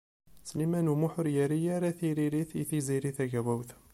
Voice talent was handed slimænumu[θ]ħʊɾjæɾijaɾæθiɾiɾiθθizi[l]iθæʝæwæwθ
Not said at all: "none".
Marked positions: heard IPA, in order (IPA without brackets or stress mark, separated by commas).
none, ɾ